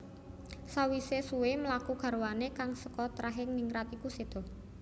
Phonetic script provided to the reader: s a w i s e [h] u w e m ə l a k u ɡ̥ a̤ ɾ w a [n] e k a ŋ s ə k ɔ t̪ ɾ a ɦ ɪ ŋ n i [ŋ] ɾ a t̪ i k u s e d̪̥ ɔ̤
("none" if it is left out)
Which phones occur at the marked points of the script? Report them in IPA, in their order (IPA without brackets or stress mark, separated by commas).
s, n, ŋ